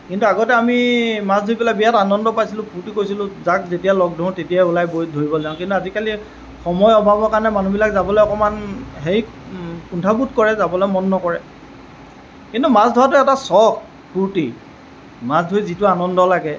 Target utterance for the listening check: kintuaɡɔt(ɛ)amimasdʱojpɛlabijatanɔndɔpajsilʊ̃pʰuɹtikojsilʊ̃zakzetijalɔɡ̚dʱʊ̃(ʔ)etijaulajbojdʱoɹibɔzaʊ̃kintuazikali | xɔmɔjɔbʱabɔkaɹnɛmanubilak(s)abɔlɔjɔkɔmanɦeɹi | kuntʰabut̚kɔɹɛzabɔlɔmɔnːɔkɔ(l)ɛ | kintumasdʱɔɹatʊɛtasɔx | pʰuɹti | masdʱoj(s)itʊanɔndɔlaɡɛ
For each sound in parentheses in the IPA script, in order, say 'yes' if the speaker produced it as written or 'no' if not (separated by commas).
yes, no, no, no, no